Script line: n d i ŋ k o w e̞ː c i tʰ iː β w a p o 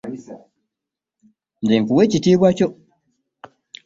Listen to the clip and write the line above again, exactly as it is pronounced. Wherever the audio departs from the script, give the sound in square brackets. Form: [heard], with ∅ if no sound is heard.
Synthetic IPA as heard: n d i ŋ k [u] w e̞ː c i [t] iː β w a [c] o